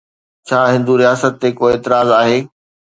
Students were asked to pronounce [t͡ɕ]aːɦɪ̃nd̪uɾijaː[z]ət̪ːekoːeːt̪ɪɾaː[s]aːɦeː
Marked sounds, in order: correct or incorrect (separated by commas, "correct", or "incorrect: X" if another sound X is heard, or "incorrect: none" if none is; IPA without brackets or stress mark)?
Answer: incorrect: t͡ɕʰ, incorrect: s, incorrect: z